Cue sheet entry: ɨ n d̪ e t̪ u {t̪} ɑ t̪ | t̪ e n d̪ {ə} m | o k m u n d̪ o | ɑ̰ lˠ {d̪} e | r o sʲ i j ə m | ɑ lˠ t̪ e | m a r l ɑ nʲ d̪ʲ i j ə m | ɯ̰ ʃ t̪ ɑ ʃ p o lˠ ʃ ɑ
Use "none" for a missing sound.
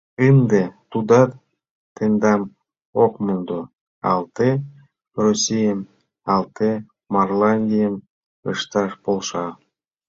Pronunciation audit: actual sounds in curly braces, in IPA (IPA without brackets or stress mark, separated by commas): d̪, ɑ, t̪